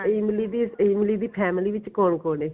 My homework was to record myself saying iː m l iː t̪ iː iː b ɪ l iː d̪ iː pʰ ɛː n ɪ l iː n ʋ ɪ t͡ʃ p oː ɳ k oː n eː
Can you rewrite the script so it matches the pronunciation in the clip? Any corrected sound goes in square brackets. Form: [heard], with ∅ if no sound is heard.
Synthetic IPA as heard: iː m l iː [d̪] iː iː [m] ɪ l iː d̪ iː pʰ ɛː [m] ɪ l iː [∅] ʋ ɪ t͡ʃ [k] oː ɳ k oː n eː